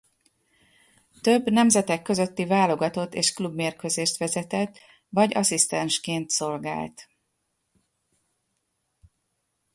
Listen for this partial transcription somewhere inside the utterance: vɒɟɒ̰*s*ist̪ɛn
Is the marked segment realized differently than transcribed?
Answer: no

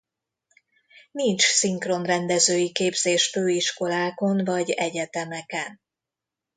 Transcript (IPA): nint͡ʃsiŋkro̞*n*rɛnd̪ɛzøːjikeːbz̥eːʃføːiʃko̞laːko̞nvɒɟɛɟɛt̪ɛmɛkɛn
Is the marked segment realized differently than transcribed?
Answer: no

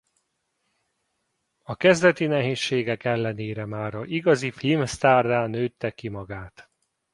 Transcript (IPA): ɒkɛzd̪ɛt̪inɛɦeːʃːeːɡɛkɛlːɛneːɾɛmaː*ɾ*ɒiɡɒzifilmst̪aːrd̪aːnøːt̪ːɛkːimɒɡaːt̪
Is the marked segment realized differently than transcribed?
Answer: no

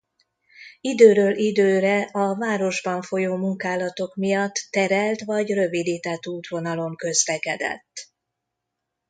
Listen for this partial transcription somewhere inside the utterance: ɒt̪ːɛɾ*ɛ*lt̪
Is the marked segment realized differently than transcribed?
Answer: no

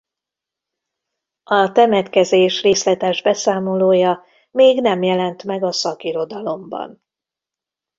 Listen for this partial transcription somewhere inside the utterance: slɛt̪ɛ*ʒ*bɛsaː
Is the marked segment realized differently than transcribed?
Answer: no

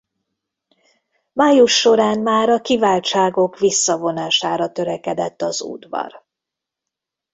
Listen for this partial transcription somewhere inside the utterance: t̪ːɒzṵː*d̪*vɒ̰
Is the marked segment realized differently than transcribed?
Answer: no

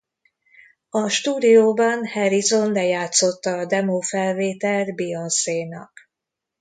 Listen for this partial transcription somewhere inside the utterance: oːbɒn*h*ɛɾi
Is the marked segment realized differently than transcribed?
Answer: no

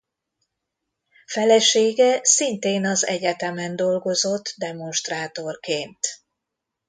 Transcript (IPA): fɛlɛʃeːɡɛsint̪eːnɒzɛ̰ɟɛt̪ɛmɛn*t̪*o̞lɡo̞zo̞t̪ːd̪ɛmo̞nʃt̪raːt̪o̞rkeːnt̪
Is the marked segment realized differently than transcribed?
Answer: yes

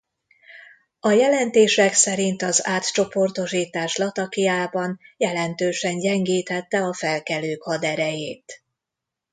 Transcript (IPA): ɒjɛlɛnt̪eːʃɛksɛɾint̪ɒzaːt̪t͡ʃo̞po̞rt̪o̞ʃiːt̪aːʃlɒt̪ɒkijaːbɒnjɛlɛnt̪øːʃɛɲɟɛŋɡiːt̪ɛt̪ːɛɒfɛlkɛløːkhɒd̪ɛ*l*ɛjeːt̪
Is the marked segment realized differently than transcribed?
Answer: yes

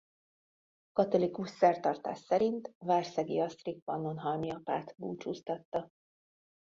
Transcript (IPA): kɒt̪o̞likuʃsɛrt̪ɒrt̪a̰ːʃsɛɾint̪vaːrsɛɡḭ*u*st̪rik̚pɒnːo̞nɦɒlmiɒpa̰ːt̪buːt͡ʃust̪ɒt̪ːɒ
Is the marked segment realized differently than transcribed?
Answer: yes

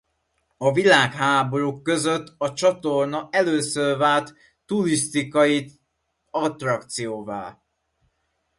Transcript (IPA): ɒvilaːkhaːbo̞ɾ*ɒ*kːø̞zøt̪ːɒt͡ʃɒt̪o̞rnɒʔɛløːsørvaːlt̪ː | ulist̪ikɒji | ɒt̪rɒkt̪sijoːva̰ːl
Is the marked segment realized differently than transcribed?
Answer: yes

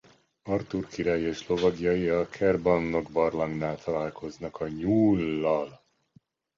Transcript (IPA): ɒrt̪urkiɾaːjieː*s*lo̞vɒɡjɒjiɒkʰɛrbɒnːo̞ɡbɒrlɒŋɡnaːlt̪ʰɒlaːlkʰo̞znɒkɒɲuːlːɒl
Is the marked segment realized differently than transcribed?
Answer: yes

